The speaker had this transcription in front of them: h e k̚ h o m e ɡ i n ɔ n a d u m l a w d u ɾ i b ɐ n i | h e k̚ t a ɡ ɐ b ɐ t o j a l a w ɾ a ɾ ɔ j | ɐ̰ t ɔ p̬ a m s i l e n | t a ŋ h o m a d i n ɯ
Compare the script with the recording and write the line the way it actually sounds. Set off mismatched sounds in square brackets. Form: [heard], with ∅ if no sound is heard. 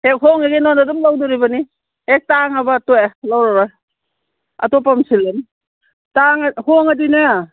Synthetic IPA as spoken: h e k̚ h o [ŋ] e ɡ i n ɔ n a d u m l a w d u ɾ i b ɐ n i | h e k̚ t a [ŋ] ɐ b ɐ t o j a l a w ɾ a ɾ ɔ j | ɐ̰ t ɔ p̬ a m s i l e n | t a ŋ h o [ŋ] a d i n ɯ